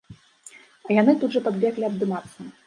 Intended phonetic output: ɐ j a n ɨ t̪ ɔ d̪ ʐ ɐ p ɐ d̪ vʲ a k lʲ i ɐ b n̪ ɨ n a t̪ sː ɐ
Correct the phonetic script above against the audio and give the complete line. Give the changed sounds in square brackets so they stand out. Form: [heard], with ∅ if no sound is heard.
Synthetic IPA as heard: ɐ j a n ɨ t̪ [u] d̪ ʐ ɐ p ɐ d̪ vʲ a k lʲ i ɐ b [d̪] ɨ [m] a t̪ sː ɐ